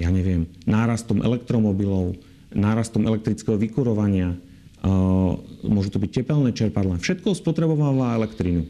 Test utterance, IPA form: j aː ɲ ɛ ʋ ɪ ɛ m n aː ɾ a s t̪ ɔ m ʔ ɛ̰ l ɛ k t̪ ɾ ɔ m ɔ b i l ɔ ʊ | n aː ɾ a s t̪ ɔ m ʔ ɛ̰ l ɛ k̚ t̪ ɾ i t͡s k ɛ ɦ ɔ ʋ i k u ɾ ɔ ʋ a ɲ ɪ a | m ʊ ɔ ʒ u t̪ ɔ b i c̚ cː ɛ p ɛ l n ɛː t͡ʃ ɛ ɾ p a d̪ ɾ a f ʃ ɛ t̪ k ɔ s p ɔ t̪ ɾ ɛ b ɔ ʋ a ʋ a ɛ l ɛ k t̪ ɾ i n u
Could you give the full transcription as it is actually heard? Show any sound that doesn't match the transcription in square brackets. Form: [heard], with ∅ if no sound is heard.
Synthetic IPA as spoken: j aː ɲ ɛ ʋ ɪ ɛ m n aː ɾ a s t̪ ɔ m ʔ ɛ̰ l ɛ k t̪ ɾ ɔ m ɔ b i l ɔ ʊ | n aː ɾ a s t̪ ɔ m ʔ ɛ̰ l ɛ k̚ t̪ ɾ i t͡s k ɛ ɦ ɔ ʋ i k u ɾ ɔ ʋ a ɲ ɪ a | m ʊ ɔ ʒ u t̪ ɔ b i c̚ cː ɛ p ɛ l n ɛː t͡ʃ ɛ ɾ p a d̪ [l] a f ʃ ɛ t̪ k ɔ s p ɔ t̪ ɾ ɛ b ɔ ʋ a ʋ a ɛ l ɛ k t̪ ɾ i n u